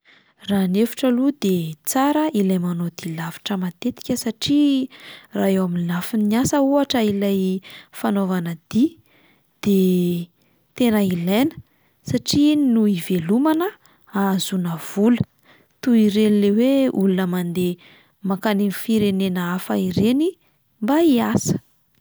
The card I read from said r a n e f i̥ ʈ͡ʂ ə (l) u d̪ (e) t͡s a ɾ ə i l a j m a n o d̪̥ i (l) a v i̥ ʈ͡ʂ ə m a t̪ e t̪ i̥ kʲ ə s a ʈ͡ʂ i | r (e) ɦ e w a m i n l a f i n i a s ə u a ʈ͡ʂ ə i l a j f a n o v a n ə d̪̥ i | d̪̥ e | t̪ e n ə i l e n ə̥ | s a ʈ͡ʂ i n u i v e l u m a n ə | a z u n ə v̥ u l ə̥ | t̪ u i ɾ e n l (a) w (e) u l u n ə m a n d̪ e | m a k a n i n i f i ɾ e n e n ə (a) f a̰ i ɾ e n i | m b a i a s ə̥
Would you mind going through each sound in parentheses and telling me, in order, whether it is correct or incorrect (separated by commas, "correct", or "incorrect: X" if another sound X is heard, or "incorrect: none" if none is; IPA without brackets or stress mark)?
correct, correct, correct, incorrect: a, incorrect: e, correct, correct